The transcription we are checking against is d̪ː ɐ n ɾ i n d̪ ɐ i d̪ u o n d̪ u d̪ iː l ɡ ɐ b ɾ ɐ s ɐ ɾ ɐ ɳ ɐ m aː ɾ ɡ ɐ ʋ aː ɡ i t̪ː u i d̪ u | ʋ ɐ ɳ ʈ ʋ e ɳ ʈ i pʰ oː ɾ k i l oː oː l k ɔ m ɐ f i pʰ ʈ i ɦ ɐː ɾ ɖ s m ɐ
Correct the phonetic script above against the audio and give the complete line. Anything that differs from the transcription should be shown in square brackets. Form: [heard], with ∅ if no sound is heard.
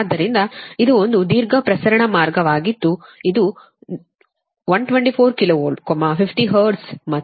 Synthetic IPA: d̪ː ɐ [∅] ɾ i n d̪ ɐ i d̪ u o n d̪ u d̪ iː [ɾ] ɡ ɐ [p] ɾ ɐ s ɐ ɾ ɐ ɳ ɐ m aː ɾ ɡ ɐ ʋ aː ɡ i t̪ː u i d̪ u | ʋ ɐ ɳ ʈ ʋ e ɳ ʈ i pʰ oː ɾ k i l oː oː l k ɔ m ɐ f i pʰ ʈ i ɦ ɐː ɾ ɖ s m ɐ